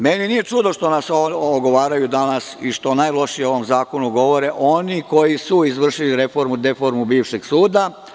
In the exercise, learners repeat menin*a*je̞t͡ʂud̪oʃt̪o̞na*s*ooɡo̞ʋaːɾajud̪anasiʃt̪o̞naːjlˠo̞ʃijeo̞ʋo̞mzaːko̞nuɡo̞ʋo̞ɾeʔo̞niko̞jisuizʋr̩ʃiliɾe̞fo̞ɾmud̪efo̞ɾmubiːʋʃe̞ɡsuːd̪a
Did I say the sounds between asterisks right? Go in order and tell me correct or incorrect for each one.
incorrect, correct

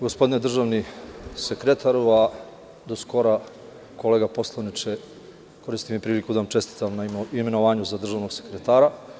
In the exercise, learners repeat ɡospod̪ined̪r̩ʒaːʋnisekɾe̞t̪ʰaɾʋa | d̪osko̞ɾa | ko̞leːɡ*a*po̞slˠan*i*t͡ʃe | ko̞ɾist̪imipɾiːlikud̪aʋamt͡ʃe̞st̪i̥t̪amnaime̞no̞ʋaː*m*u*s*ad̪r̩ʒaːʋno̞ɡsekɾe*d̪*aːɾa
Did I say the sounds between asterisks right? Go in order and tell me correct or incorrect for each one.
correct, correct, incorrect, incorrect, incorrect

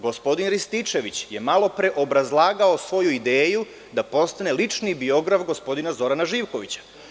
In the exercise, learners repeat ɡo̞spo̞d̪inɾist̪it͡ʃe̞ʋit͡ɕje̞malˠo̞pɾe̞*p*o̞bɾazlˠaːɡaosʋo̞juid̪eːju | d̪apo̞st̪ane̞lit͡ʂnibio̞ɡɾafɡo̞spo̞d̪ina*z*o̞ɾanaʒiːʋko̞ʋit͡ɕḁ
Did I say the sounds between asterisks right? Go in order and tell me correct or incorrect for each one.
incorrect, correct

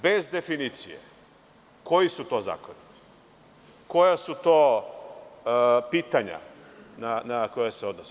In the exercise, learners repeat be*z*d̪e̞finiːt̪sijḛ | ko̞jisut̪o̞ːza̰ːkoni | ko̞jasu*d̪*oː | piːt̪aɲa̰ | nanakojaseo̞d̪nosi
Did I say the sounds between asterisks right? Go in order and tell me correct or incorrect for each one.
correct, incorrect

